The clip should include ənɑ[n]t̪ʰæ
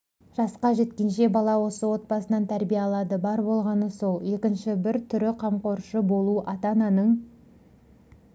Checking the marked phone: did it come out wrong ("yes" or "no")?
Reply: no